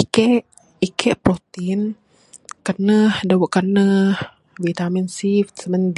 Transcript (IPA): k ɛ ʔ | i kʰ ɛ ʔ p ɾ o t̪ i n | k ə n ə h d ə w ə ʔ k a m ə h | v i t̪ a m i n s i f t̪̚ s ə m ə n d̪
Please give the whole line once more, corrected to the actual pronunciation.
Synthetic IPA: k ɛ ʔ | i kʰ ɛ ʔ p ɾ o t̪ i n | k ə n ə h d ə w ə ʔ k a n ə h | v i t̪ a m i n s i f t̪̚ s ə m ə n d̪